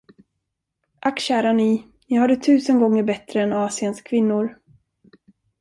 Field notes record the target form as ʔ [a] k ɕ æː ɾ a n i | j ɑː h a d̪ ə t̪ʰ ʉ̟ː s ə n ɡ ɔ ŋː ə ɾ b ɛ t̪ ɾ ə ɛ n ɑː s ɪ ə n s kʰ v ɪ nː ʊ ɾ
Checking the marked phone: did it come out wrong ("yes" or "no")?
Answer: no